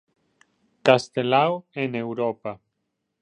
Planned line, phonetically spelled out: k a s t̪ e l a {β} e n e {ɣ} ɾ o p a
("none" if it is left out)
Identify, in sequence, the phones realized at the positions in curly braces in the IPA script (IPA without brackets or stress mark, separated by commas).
w, w